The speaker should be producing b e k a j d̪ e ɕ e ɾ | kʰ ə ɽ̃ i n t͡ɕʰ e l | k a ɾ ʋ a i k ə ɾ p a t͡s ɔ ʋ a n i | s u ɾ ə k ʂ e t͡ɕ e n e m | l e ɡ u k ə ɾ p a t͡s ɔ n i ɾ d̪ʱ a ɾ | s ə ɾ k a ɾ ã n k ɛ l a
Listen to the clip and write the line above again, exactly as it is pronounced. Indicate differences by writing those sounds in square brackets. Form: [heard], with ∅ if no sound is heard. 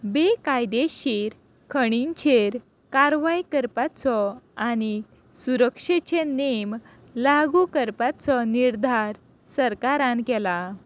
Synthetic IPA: b e k a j d̪ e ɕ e ɾ | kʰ ə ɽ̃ i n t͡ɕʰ e [ɾ] | k a ɾ ʋ a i k ə ɾ p a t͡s ɔ [∅] a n i | s u ɾ ə k ʂ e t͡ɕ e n e m | l [a] ɡ u k ə ɾ p a t͡s ɔ n i ɾ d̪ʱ a ɾ | s ə ɾ k a ɾ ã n k ɛ l a